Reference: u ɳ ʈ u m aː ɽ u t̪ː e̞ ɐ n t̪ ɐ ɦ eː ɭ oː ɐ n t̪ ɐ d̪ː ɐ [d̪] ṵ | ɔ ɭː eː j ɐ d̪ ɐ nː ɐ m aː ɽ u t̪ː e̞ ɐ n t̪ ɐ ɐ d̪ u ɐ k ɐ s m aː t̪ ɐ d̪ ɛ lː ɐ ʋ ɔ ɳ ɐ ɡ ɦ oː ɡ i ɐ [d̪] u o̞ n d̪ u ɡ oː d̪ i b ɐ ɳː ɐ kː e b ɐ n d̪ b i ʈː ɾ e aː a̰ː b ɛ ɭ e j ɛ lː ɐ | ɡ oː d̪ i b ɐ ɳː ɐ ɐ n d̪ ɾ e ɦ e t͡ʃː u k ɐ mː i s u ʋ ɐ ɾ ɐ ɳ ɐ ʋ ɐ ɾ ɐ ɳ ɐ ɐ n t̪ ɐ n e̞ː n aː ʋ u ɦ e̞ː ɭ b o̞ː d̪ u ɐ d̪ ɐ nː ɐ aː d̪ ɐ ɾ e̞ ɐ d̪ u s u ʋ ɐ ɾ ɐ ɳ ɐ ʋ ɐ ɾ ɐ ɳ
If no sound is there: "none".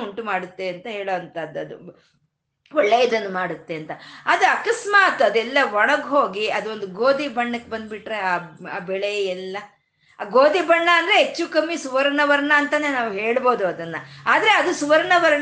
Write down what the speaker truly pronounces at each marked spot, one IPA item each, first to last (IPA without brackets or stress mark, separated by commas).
d̪, d̪